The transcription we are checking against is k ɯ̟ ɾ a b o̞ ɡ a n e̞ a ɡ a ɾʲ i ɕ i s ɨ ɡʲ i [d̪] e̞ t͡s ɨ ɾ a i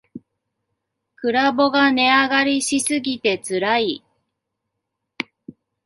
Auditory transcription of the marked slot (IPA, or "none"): t̪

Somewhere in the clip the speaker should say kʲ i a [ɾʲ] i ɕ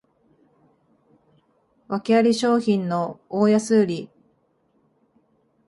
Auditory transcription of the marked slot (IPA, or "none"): ɾʲ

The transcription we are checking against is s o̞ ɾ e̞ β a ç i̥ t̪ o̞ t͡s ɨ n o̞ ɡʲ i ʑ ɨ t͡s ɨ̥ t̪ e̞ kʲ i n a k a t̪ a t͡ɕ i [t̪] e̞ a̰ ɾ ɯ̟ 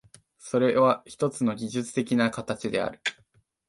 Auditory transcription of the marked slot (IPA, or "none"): d̪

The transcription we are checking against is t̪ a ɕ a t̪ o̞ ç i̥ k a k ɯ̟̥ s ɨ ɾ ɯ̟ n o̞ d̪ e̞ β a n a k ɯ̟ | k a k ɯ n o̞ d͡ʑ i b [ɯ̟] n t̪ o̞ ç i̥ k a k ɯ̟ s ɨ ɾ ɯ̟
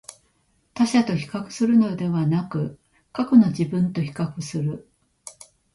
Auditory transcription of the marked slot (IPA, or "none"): ɯ̟̃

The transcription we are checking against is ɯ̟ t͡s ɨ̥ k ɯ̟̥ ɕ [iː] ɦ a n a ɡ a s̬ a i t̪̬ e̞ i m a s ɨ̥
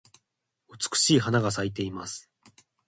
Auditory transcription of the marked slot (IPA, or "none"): iː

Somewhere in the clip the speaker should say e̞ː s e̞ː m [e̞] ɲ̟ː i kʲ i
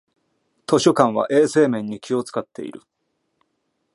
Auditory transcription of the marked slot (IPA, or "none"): ẽ̞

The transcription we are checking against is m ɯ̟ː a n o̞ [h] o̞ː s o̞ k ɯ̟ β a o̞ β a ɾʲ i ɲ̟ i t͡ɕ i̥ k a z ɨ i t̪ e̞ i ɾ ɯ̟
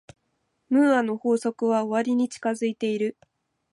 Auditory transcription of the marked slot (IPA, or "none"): h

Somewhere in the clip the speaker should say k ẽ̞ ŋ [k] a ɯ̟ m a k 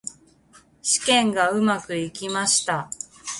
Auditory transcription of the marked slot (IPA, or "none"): ɡ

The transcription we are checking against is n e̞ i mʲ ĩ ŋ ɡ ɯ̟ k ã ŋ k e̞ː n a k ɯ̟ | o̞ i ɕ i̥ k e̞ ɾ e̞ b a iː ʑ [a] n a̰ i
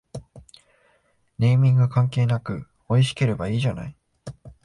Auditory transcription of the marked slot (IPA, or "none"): a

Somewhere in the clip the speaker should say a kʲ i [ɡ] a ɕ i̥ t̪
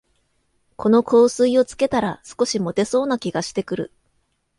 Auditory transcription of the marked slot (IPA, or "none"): ɡ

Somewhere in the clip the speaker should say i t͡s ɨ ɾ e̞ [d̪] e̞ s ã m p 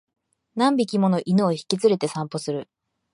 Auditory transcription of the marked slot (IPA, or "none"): t̪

